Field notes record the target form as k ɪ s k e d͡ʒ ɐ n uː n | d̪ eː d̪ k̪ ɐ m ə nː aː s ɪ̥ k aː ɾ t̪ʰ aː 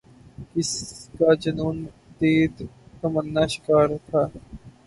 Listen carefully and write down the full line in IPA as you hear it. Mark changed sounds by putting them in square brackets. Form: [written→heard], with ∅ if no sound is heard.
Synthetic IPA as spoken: k ɪ s k [e→a] d͡ʒ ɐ n uː n | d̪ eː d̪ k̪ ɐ m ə nː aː [s→ʃ] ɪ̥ k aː ɾ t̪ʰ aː